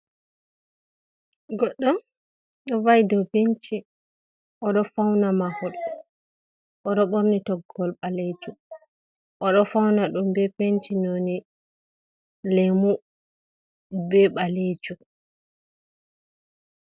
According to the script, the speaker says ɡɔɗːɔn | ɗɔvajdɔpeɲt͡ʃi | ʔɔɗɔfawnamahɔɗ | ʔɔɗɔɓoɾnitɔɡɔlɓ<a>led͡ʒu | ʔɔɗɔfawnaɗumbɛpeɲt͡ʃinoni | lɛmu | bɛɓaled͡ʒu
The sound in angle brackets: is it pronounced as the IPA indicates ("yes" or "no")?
yes